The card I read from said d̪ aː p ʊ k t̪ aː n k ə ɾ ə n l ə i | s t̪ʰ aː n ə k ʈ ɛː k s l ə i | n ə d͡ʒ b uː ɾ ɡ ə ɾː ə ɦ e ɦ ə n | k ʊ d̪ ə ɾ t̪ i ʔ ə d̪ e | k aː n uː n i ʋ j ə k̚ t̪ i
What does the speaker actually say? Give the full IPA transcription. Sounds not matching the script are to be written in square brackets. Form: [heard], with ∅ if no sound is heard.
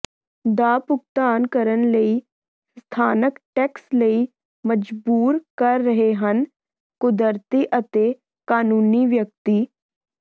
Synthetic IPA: d̪ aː p ʊ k t̪ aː n k ə ɾ ə n l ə i | s t̪ʰ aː n ə k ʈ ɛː k s l ə i | [m] ə d͡ʒ b uː ɾ [k] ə ɾː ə ɦ e ɦ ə n | k ʊ d̪ ə ɾ t̪ i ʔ ə [t̪] e | k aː n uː n i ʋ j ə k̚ t̪ i